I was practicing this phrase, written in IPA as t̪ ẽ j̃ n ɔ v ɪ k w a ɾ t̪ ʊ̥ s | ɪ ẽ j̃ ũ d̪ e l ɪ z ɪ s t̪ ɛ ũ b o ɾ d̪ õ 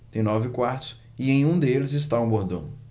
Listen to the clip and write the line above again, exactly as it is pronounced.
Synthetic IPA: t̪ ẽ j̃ n ɔ v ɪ k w a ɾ t̪ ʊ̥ s | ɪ ẽ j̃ ũ d̪ e l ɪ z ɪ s t̪ a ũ b o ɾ d̪ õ